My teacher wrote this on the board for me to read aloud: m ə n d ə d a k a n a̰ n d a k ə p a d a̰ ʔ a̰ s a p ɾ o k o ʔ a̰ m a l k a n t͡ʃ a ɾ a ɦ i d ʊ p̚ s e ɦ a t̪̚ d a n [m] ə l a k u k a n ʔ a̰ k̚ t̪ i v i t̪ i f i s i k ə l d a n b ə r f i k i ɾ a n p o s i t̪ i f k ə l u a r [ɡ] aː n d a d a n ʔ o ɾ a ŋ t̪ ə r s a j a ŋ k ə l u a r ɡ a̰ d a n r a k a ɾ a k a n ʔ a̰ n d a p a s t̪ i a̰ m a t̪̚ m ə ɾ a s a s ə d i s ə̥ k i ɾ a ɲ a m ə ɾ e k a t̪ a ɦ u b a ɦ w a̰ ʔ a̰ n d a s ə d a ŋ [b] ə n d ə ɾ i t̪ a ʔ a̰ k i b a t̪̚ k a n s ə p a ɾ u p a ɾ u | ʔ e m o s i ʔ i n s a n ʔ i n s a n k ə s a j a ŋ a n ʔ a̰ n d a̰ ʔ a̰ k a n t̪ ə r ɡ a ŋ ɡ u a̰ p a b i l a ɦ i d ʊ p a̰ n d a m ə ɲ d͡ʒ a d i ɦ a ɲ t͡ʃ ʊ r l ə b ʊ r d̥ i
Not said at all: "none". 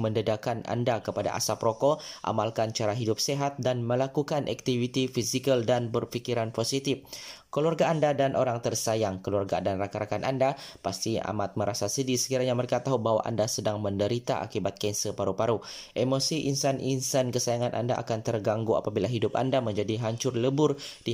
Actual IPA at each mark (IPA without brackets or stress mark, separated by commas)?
m, ɡ, m